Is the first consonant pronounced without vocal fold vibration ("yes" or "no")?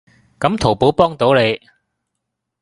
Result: yes